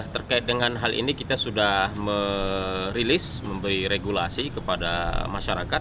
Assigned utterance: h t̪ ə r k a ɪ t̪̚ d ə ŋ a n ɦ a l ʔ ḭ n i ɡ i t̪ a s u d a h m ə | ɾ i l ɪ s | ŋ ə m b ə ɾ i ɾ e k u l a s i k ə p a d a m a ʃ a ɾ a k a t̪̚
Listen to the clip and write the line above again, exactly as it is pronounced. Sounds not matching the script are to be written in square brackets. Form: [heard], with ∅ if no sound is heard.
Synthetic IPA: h t̪ ə r k a ɪ t̪̚ d ə ŋ a n ɦ a l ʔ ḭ n i [k] i t̪ a s u d a h m ə | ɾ i l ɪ s | [m] ə m b ə ɾ i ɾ e [ɡ] u l a s i k ə p a d a m a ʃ a ɾ a k a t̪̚

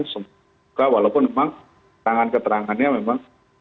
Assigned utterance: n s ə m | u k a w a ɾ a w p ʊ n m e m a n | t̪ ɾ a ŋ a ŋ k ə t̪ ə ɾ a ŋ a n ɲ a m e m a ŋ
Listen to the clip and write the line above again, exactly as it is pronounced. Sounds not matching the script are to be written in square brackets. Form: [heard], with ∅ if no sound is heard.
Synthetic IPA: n s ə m | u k a w a [l] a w p ʊ n m e m a [ŋ] | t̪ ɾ a ŋ a [n] k ə t̪ ə ɾ a ŋ a n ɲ a m e m a ŋ

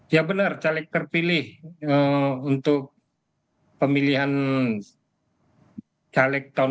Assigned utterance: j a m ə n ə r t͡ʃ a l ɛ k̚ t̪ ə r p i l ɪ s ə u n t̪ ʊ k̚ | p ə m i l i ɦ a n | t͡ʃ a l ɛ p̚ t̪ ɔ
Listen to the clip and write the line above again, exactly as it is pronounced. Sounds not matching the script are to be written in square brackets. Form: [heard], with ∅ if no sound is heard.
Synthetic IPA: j a [b] ə n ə r t͡ʃ a l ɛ k̚ t̪ ə r p i l ɪ [h] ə u n t̪ ʊ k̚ | p ə m i l i ɦ a n | t͡ʃ a l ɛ [k̚] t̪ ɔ

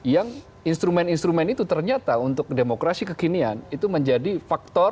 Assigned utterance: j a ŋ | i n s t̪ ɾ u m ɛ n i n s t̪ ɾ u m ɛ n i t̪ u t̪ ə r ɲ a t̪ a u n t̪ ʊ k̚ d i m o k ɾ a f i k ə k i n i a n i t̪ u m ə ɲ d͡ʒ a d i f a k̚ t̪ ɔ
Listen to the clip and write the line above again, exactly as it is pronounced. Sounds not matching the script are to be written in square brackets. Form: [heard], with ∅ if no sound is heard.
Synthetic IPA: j a ŋ | i n s t̪ ɾ u m ɛ n i n s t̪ ɾ u m ɛ n i t̪ u t̪ ə r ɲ a t̪ a u n t̪ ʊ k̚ d [e] m o k ɾ a [s] i k ə k i n i a n i t̪ u m ə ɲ d͡ʒ a d i f a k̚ t̪ ɔ

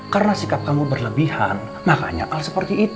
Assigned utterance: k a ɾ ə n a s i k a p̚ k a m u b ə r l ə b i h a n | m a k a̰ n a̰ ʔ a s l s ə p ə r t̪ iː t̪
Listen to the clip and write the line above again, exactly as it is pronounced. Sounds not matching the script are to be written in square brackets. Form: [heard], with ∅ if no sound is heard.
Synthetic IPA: k a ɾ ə n a s i k a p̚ k a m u b ə r l ə b i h a n | m a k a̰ [ɲ] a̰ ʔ a [∅] l s ə p ə r t̪ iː t̪

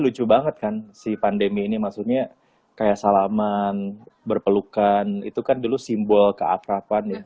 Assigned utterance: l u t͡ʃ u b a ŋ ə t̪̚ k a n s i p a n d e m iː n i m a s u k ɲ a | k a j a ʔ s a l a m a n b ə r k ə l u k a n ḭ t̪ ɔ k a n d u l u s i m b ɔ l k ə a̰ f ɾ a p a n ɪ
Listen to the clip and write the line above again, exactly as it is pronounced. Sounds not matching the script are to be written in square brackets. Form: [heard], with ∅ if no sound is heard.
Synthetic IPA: l u t͡ʃ u b a ŋ ə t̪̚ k a n s i p a n d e m iː n i m a s u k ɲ a | k a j a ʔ s a l a m a n b ə r [p] ə l u k a n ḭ t̪ [u] k a n d u l u s i m b ɔ l k ə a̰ f ɾ a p a n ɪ

